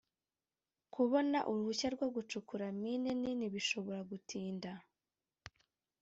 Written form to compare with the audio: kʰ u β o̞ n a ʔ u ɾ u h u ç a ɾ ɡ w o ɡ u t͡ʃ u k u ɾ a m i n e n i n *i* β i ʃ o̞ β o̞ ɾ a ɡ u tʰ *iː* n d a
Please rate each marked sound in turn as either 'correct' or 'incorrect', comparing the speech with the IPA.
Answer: correct, correct

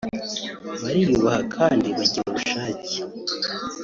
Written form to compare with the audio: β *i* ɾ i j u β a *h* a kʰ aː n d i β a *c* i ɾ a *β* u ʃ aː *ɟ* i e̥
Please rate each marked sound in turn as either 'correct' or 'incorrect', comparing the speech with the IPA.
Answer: incorrect, correct, incorrect, correct, incorrect

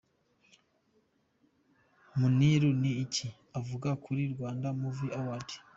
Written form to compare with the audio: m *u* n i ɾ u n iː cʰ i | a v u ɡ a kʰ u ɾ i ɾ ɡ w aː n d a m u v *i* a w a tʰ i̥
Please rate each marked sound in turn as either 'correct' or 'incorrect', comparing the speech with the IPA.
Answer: correct, correct

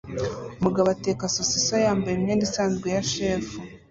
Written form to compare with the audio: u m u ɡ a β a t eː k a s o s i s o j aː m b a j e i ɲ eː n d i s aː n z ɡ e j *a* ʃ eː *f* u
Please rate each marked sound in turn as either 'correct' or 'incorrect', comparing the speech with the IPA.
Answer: correct, correct

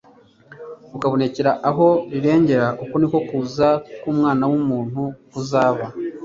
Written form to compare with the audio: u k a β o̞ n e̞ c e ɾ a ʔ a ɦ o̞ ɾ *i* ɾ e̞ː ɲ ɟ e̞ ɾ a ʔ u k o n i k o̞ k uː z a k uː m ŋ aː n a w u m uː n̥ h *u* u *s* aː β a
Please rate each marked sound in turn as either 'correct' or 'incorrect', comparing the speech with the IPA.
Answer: correct, correct, incorrect

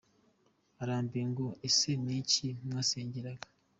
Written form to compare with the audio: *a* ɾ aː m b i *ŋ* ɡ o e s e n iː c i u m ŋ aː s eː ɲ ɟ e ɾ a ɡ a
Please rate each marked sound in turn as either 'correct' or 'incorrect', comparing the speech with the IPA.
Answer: correct, correct

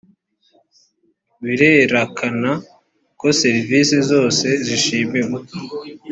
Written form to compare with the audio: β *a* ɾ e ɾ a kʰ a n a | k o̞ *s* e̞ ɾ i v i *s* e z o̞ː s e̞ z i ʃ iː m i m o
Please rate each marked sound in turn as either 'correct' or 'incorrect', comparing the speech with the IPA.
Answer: incorrect, correct, correct

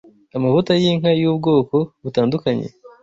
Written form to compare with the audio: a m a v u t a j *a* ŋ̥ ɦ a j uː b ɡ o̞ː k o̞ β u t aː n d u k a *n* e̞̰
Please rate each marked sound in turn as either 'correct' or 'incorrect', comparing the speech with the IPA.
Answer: incorrect, incorrect

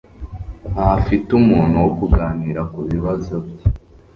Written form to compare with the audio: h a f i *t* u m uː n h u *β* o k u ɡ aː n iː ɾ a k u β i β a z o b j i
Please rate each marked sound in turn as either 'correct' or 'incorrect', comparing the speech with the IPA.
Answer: correct, incorrect

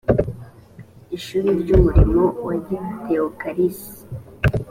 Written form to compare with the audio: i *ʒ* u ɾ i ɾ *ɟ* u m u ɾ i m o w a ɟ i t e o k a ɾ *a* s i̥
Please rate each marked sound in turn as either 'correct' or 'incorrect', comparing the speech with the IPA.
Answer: incorrect, correct, incorrect

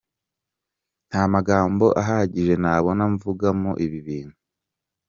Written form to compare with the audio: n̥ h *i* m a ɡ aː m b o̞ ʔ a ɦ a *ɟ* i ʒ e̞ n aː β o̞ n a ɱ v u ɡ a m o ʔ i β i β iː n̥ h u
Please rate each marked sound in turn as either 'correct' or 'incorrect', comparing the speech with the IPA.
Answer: incorrect, correct

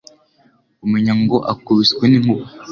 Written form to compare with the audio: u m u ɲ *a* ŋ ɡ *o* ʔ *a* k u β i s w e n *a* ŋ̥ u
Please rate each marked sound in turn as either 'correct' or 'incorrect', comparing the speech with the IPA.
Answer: correct, correct, correct, incorrect

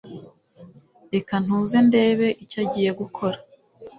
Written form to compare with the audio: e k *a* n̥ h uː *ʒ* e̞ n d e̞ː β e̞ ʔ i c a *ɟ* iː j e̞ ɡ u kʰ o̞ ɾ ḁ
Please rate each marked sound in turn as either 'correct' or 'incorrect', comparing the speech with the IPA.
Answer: correct, incorrect, correct

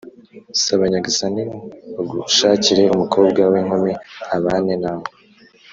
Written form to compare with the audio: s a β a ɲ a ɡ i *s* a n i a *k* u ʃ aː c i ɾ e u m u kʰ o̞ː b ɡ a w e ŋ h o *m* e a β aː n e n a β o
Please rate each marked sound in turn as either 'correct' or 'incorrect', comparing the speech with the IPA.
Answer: correct, incorrect, correct

